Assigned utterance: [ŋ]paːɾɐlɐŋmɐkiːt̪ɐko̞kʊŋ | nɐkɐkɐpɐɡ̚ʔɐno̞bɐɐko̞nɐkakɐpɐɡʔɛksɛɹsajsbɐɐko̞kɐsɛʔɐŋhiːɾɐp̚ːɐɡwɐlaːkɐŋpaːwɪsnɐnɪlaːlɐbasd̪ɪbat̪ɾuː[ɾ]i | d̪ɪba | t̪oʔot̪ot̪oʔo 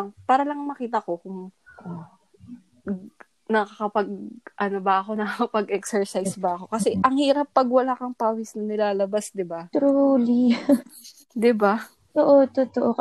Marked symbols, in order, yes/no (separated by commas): yes, no